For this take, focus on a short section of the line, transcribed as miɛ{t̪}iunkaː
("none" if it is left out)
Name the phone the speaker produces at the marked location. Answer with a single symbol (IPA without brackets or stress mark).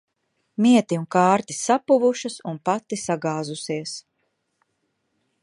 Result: t̪